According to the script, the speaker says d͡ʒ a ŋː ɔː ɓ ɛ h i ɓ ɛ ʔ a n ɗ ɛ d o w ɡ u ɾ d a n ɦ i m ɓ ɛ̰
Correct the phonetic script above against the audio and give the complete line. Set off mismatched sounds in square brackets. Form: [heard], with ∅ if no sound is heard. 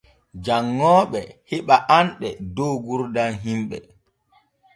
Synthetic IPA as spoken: d͡ʒ a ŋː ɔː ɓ ɛ h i ɓ [a] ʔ a n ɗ ɛ d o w ɡ u ɾ d a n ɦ i m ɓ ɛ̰